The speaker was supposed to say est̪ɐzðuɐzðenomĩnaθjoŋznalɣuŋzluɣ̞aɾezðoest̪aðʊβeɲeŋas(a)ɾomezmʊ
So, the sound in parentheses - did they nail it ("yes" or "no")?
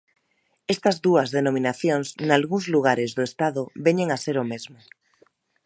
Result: no